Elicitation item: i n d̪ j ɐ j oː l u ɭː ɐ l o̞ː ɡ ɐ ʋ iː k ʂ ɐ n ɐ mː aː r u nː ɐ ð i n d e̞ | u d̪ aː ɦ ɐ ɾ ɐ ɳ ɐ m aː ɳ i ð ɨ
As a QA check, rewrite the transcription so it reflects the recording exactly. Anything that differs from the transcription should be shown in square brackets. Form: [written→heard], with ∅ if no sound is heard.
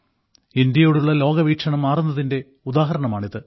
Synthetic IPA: i n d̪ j ɐ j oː [l→ɽ] u ɭː ɐ l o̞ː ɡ ɐ ʋ iː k ʂ ɐ [n→ɳ] ɐ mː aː r u nː ɐ ð i n d e̞ | u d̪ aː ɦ ɐ ɾ ɐ ɳ ɐ m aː ɳ i ð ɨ